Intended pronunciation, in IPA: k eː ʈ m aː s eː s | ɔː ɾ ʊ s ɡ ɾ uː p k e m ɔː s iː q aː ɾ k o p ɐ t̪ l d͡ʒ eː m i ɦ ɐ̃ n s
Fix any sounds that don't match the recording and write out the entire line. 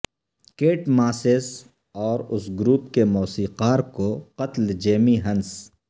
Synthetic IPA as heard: k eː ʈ m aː s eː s | ɔː ɾ ʊ s ɡ ɾ uː p k e m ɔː s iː q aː ɾ k o q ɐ t̪ l d͡ʒ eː m i ɦ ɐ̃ n s